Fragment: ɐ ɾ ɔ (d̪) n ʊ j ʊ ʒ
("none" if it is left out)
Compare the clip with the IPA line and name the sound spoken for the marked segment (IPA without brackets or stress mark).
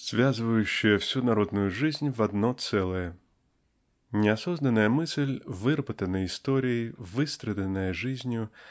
d̪